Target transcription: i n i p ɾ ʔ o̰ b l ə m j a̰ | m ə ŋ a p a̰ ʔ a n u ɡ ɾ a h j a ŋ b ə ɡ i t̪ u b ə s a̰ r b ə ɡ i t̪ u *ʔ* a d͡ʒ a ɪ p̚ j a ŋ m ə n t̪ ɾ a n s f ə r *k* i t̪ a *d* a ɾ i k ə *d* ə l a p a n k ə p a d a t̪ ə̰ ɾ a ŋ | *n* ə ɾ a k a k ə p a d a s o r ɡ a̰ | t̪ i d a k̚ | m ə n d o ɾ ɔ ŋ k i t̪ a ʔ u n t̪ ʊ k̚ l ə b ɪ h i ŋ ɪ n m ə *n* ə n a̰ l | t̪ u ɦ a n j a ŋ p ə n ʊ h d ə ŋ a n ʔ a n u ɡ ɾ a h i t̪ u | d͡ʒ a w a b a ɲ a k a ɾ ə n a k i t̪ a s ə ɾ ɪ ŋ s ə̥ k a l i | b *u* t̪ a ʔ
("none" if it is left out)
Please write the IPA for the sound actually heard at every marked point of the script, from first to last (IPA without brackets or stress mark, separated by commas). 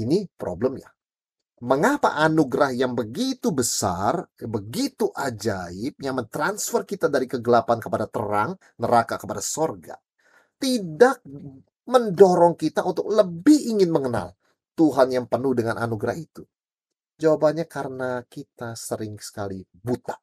ʔ, k, d, ɡ, n, ŋ, u